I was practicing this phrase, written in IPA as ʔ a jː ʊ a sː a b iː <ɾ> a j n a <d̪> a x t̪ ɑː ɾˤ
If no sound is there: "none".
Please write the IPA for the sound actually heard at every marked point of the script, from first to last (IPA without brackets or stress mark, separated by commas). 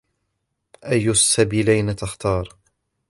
l, t̪